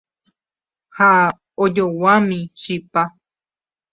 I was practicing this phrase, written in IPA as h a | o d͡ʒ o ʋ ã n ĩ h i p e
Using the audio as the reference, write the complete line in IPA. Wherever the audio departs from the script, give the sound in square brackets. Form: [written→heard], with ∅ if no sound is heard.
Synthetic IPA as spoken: h a | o d͡ʒ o [ʋ→w] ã [n→m] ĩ [h→ʃ] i p [e→a]